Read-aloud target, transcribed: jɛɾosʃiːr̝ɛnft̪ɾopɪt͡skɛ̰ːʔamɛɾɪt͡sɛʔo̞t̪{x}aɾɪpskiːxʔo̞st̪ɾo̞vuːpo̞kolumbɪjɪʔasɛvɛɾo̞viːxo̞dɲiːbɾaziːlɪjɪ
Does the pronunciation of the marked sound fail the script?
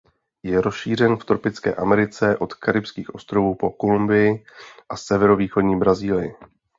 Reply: yes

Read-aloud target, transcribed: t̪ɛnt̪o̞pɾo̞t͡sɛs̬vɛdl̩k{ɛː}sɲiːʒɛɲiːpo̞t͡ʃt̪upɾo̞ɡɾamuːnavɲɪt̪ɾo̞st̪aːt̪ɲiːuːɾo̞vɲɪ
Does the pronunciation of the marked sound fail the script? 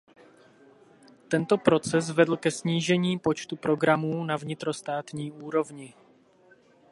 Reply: yes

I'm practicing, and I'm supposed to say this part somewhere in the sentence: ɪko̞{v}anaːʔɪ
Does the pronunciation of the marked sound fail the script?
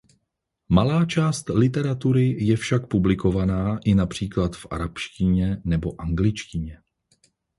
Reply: no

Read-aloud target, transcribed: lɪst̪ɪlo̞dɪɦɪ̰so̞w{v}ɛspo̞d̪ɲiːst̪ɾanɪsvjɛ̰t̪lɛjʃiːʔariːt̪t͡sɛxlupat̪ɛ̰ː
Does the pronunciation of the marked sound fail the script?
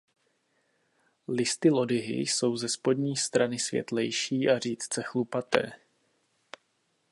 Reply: yes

